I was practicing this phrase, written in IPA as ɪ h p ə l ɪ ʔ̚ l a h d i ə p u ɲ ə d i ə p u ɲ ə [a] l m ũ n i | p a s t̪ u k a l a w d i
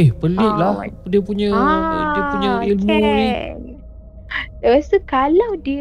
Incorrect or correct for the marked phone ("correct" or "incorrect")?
incorrect